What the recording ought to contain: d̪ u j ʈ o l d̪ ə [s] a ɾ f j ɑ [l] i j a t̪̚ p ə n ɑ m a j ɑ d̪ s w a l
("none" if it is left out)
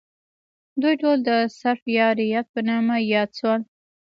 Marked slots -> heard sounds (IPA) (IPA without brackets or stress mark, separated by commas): s, ɾ